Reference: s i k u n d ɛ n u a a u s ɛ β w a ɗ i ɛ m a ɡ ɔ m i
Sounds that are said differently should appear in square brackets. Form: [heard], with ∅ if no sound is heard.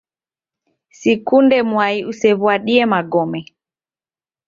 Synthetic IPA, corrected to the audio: s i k u n d ɛ [m] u a [i] u s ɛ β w a ɗ i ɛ m a ɡ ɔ m [ɛ]